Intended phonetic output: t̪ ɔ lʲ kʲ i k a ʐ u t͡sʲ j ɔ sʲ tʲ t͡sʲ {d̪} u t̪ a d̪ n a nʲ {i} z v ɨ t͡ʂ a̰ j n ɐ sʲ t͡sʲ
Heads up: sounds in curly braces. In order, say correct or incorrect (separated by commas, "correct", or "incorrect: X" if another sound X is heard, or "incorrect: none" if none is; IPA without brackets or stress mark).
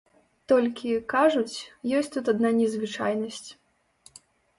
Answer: incorrect: t̪, incorrect: ɛ